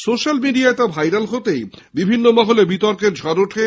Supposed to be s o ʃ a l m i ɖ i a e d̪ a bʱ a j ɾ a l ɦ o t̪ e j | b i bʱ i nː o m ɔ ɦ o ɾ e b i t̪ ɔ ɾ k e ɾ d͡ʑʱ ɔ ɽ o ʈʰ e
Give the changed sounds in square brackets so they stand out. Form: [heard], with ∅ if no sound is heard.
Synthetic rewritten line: s o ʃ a l m i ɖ i a e [t̪] a bʱ a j ɾ a l ɦ o t̪ e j | b i bʱ i nː o m ɔ ɦ o [l] e b i t̪ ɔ ɾ k e ɾ d͡ʑʱ ɔ [ɾ] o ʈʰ e